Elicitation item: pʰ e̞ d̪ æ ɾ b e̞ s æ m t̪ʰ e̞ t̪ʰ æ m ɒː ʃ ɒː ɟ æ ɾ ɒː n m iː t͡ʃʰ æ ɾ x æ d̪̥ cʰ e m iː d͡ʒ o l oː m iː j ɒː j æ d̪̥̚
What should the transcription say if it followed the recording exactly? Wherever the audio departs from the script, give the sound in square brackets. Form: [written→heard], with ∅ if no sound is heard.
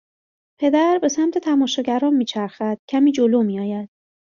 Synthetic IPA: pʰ e̞ d̪ æ ɾ b e̞ s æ m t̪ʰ e̞ t̪ʰ æ m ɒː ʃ ɒː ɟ æ ɾ ɒː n m iː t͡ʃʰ æ ɾ x æ d̪̥ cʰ [e→æ] m iː d͡ʒ o l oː m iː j ɒː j æ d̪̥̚